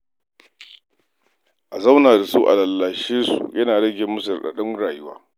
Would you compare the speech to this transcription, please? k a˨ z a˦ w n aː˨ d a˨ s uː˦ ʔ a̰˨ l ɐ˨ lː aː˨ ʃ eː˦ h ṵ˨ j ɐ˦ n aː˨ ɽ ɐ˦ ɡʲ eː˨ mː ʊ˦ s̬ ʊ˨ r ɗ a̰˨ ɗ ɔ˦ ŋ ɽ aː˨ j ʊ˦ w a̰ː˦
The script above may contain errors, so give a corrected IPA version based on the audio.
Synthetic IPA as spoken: ʔ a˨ z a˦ w n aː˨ d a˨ s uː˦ ʔ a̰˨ l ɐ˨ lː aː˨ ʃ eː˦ s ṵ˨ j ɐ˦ n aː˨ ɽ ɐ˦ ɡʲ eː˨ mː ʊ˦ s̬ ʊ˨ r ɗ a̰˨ ɗ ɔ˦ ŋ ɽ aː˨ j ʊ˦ w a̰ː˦